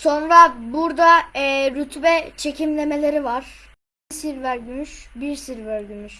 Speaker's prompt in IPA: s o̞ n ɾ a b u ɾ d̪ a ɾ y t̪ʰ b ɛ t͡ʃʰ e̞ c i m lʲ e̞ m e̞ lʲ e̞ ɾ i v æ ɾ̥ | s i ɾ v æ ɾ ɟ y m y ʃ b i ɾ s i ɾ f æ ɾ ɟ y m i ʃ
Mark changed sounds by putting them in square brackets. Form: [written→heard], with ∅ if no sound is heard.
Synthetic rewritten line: s o̞ n ɾ a b u ɾ d̪ a ɾ y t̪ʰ b ɛ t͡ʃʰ e̞ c i m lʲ e̞ m e̞ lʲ e̞ ɾ i v [æ→a] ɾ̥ | s i ɾ v æ ɾ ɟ y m y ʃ b i ɾ s i ɾ [f→v] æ ɾ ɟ y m [i→y] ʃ